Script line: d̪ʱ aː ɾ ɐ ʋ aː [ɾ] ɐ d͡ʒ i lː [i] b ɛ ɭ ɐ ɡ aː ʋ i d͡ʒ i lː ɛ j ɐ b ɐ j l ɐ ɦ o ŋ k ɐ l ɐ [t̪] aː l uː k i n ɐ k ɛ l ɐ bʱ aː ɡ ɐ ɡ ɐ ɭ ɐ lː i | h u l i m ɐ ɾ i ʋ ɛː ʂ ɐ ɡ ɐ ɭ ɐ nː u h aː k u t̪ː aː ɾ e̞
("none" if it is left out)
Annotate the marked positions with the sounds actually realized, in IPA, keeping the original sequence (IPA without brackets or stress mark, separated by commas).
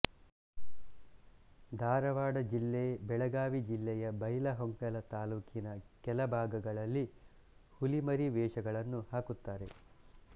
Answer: ɽ, e, t̪